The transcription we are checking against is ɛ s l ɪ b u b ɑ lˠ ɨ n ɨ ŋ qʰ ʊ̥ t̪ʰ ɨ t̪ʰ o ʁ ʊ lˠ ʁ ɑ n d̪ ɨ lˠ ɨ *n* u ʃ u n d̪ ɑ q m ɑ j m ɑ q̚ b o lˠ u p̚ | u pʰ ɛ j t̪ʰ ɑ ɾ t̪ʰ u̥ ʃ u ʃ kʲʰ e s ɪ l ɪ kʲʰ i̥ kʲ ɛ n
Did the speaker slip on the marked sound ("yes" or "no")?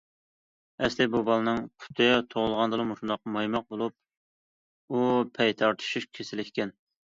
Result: yes